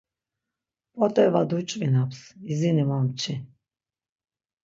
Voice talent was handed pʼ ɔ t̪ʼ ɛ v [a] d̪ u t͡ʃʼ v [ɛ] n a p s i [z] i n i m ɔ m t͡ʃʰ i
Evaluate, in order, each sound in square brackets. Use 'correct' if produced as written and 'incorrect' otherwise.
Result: correct, incorrect: i, correct

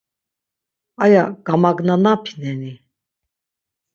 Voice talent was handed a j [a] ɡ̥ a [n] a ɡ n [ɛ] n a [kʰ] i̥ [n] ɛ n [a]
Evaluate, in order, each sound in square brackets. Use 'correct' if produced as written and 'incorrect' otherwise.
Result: correct, incorrect: m, incorrect: a, incorrect: pʰ, correct, incorrect: i

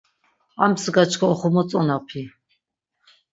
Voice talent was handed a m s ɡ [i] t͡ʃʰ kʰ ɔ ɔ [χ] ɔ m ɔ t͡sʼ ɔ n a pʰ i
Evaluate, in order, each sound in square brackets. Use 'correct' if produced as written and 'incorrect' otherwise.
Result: incorrect: a, correct

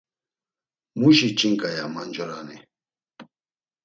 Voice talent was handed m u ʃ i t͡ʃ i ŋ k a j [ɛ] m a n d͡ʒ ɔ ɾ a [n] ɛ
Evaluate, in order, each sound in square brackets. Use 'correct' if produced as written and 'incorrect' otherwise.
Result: incorrect: a, correct

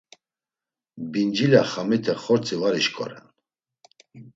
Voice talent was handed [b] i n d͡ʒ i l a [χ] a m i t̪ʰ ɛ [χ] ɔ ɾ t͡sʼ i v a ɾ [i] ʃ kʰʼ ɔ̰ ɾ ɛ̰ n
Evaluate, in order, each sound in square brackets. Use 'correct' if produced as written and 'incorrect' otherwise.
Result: correct, correct, correct, correct

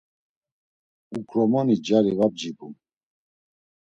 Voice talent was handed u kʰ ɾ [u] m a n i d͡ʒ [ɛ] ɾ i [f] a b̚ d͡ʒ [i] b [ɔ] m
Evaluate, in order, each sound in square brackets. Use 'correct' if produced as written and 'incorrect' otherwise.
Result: incorrect: ɔ, incorrect: a, incorrect: v, correct, incorrect: u

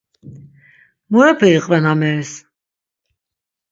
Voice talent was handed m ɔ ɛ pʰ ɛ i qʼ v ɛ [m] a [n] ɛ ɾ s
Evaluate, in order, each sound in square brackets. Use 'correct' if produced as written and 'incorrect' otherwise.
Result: incorrect: n, incorrect: m

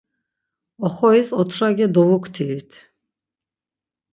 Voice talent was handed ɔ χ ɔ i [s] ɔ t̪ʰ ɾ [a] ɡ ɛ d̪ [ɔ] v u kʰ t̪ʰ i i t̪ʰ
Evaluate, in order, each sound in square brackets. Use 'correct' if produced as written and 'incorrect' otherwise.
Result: correct, correct, correct

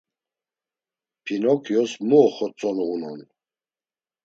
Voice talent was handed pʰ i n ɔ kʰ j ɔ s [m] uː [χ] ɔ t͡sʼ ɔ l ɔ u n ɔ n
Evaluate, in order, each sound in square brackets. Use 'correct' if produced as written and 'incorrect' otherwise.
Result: correct, correct

